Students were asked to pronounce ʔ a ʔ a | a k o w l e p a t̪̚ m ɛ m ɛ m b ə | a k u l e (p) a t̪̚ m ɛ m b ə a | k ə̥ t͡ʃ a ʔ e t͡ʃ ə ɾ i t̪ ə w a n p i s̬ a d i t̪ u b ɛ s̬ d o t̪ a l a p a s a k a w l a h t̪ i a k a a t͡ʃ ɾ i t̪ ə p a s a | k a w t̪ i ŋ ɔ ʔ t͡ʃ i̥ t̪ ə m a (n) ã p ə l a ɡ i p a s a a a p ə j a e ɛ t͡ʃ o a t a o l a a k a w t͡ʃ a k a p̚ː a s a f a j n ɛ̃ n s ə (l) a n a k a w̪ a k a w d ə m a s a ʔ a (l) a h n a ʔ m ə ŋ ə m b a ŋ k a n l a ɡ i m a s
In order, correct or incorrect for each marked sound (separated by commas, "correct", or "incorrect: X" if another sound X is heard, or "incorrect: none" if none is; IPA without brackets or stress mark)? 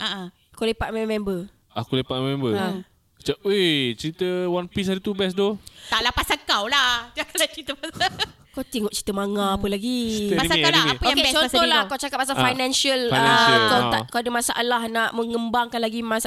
correct, incorrect: ŋ, correct, correct